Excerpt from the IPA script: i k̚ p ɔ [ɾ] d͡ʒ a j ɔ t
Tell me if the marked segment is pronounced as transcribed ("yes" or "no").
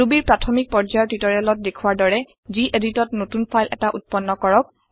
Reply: no